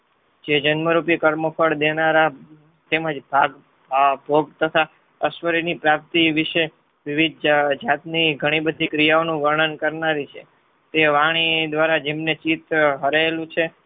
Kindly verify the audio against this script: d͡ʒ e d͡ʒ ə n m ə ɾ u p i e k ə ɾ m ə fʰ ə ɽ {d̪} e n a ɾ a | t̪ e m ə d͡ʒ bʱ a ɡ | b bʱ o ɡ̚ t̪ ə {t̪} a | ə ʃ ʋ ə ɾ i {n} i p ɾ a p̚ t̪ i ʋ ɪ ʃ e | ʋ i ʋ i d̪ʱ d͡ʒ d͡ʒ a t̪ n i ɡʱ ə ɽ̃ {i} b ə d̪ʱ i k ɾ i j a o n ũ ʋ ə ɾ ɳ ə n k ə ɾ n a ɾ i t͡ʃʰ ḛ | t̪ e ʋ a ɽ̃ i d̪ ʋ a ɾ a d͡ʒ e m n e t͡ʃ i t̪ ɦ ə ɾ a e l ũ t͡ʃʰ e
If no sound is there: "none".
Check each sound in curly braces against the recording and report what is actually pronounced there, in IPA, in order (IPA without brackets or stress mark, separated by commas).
d̪, t̪ʰ, n, i